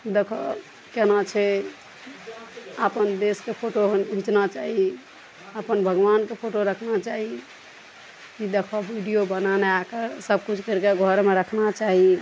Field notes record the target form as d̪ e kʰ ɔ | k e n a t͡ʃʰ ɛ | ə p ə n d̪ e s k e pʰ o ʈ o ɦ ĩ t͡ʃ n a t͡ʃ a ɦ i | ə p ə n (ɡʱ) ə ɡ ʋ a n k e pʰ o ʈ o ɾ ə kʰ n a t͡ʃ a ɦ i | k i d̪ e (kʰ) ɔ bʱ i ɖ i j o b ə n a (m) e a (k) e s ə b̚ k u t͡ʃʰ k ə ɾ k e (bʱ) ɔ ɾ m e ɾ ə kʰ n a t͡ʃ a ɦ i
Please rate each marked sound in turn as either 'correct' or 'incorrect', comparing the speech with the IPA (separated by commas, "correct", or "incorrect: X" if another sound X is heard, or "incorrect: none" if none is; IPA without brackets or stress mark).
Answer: incorrect: bʱ, correct, incorrect: n, correct, incorrect: ɡʱ